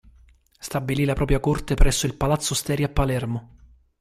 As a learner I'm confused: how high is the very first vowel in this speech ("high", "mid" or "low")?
low